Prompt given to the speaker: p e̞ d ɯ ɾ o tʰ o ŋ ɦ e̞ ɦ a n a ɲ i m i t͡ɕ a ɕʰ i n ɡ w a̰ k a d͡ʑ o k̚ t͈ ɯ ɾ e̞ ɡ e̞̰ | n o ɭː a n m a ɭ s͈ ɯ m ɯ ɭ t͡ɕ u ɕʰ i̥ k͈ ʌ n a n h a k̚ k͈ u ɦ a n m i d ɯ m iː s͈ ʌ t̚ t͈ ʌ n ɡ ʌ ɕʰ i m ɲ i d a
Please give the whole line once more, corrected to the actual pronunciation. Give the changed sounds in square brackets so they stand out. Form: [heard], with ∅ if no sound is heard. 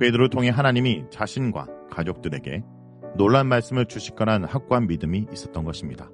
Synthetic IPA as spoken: p e̞ d ɯ ɾ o tʰ o ŋ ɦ e̞ ɦ a n a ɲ i m i t͡ɕ a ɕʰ i n ɡ w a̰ k a d͡ʑ o k̚ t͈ ɯ ɾ e̞ ɡ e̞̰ | n o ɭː a n m a ɭ s͈ ɯ m ɯ ɭ t͡ɕ u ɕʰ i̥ k͈ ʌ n a n h a k̚ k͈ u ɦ a n m i d ɯ m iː s͈ ʌ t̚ t͈ ʌ n ɡ ʌ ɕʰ i m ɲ i d a

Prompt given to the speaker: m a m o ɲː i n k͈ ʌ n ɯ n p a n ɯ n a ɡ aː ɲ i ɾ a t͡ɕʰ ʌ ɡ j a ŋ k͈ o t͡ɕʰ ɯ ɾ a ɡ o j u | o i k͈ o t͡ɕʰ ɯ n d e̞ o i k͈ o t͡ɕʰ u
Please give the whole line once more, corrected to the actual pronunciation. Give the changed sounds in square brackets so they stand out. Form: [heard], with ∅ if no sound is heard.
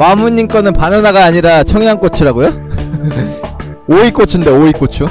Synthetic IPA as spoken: m a m [u] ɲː i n k͈ ʌ n ɯ n p a n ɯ n a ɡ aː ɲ i ɾ a t͡ɕʰ ʌ [ŋ] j a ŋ k͈ o t͡ɕʰ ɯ ɾ a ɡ o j [o] | o i k͈ o t͡ɕʰ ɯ n d e̞ o i k͈ o t͡ɕʰ u

